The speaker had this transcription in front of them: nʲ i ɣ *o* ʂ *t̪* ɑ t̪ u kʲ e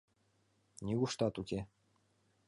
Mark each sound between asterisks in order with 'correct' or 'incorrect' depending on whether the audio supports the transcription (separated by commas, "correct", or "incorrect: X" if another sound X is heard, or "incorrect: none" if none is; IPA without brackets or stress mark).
incorrect: u, correct